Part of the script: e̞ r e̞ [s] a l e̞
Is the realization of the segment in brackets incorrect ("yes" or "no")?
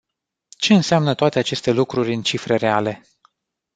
yes